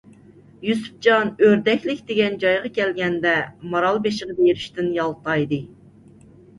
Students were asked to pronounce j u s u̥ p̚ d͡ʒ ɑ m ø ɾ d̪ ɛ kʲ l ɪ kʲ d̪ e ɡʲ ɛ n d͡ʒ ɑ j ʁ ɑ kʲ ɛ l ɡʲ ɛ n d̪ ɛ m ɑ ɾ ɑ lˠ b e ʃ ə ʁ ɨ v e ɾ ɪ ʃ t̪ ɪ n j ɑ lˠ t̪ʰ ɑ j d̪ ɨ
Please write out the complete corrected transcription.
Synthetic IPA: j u s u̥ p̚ d͡ʒ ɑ n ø ɾ d̪ ɛ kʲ l ɪ kʲ d̪ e ɡʲ ɛ n d͡ʒ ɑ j ʁ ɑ kʲ ɛ l ɡʲ ɛ n d̪ ɛ m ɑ ɾ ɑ lˠ b e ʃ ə ʁ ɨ b e ɾ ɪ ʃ t̪ ɪ n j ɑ lˠ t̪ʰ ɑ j d̪ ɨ